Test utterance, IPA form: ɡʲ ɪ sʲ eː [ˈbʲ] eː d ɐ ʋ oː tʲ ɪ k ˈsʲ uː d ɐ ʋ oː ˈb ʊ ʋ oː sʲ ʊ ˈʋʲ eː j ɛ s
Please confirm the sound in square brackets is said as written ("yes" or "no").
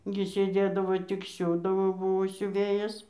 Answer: no